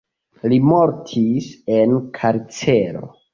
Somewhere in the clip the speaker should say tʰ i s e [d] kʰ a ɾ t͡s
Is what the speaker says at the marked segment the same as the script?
no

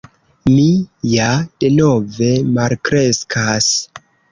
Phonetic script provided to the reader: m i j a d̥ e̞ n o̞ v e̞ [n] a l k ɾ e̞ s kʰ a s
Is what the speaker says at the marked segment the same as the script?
no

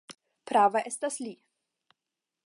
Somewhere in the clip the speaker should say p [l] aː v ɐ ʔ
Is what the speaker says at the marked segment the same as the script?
no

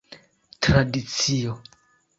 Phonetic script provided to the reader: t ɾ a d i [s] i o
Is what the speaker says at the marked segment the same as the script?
no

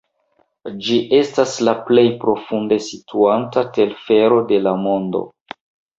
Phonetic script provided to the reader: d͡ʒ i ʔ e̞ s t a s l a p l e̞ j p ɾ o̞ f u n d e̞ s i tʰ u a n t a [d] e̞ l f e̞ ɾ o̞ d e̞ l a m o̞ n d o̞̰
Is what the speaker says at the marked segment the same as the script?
no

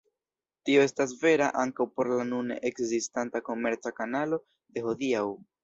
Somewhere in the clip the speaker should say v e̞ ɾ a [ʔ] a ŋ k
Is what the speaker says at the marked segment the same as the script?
yes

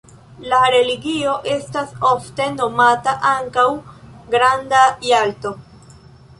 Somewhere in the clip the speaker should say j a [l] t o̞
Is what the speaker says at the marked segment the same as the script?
yes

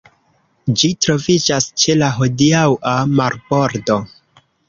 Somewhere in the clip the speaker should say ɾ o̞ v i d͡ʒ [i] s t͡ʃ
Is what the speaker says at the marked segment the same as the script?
no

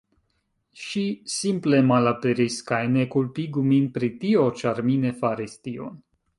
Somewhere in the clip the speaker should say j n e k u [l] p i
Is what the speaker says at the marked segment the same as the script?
yes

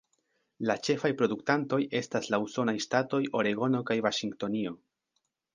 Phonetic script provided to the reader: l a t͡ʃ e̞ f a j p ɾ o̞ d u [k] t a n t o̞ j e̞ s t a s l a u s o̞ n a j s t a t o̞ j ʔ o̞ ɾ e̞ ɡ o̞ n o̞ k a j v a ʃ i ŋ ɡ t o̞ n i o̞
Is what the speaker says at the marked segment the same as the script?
yes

